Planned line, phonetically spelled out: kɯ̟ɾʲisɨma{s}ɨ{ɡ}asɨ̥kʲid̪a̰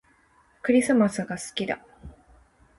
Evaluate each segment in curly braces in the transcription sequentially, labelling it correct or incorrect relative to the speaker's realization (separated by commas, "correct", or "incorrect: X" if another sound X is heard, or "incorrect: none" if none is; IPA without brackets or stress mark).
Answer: correct, correct